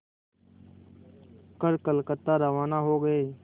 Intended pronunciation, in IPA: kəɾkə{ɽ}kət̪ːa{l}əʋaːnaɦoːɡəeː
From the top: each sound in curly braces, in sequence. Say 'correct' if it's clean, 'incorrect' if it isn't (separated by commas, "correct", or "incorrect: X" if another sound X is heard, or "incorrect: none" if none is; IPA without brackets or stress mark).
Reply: incorrect: l, incorrect: ɾ